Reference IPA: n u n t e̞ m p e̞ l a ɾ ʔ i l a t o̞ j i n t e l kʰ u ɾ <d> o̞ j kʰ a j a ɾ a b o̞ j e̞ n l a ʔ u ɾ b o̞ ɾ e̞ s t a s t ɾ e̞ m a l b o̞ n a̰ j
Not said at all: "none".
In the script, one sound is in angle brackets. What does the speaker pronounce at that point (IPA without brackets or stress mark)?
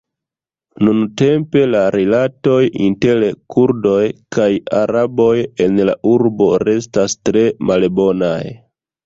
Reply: d